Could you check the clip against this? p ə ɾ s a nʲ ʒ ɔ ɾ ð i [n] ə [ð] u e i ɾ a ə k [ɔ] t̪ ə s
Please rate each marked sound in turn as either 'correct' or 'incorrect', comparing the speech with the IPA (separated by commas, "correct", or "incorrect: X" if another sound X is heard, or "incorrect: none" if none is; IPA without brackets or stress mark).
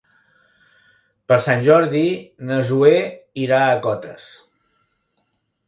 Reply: correct, incorrect: z, correct